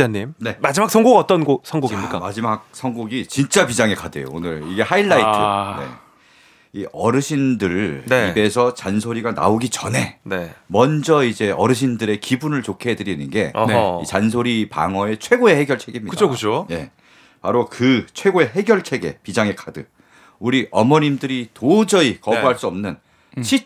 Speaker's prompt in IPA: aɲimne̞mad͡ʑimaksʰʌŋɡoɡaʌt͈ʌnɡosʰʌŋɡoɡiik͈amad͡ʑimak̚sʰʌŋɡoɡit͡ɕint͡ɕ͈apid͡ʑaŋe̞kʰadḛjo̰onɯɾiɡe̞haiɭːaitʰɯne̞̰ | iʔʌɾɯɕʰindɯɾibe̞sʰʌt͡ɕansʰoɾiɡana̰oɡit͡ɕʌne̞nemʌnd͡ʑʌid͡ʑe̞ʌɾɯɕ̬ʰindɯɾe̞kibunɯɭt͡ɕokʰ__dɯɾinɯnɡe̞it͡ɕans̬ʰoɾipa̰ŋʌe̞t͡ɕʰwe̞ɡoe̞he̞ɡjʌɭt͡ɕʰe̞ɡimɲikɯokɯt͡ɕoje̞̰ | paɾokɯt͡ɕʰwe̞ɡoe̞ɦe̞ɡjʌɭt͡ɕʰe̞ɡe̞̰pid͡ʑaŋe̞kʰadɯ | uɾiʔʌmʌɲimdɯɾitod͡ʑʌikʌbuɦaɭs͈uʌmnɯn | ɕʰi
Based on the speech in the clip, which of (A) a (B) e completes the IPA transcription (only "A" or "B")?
B